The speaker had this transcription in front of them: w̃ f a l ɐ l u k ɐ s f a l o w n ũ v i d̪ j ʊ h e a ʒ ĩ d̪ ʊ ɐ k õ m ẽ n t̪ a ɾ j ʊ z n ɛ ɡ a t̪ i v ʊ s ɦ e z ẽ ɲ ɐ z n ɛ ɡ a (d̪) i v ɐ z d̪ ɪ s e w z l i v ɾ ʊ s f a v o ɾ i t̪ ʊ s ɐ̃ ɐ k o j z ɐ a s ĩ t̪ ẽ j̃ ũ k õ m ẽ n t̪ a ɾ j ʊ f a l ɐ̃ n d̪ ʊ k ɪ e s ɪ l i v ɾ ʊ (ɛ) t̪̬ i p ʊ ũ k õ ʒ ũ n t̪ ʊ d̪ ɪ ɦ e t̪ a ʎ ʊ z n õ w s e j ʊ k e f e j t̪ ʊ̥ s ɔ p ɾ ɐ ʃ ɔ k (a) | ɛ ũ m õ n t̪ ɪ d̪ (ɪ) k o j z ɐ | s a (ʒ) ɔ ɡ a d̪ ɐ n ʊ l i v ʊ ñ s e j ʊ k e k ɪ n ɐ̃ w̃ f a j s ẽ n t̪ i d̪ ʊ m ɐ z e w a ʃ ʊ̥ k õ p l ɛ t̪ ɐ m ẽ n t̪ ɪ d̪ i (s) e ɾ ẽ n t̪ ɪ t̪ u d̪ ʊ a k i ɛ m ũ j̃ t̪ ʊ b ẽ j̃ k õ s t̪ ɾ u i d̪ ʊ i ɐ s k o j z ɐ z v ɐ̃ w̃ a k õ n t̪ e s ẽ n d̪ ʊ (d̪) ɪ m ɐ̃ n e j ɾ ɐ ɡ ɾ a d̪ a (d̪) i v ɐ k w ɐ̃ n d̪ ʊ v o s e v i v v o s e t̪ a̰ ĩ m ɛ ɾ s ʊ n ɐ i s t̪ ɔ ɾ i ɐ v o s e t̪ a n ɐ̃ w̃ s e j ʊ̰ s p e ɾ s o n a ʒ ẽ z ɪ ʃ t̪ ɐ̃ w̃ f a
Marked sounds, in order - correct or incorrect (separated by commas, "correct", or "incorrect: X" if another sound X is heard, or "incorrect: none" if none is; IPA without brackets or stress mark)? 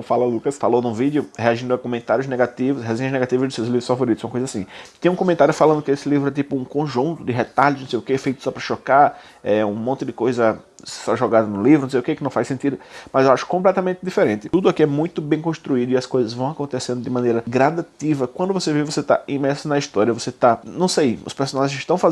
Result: incorrect: t̪, correct, correct, correct, correct, incorrect: f, correct, incorrect: t̪